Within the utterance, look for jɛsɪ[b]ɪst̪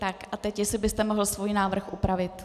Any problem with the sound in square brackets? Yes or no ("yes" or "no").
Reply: no